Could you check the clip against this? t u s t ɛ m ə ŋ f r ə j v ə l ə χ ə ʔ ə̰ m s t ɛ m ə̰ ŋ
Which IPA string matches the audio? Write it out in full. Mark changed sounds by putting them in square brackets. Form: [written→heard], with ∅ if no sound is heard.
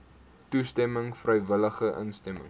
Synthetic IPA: t u s t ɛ m ə ŋ f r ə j v ə l ə χ ə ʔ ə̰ [m→n] s t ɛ m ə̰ ŋ